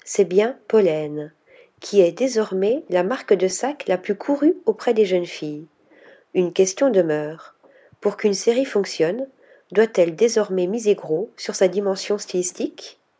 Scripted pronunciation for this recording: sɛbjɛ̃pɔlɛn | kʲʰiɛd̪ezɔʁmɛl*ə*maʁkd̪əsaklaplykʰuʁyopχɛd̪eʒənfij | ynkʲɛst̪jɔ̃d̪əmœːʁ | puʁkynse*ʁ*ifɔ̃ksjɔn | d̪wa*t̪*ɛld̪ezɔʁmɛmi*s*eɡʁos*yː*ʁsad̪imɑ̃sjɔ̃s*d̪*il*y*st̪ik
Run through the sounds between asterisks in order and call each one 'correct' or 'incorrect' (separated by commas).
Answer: incorrect, correct, correct, incorrect, incorrect, incorrect, incorrect